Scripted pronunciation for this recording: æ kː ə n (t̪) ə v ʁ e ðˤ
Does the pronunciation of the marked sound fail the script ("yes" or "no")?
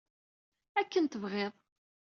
no